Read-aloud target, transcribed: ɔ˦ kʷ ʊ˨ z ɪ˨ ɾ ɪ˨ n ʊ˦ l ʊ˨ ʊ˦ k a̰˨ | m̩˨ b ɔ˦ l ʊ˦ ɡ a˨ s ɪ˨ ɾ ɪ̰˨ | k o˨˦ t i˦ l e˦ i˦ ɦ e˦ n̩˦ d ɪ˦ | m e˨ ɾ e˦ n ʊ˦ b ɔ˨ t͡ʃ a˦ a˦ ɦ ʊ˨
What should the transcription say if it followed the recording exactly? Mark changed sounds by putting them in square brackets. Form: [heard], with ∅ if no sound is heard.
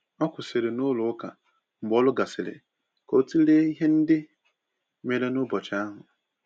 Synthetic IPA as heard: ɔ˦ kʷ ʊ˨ [s] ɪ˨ ɾ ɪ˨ n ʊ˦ l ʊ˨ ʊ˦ k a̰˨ | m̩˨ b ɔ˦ l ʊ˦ ɡ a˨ s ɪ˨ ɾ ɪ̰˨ | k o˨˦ t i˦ l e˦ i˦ ɦ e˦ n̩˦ d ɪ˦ | m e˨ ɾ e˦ n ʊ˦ b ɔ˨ t͡ʃ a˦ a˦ ɦ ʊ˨